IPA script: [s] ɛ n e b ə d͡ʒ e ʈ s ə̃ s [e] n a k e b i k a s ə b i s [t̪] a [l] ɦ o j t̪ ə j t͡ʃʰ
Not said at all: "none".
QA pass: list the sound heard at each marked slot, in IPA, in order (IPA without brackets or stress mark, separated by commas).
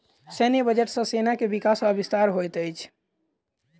s, e, t̪, ɾ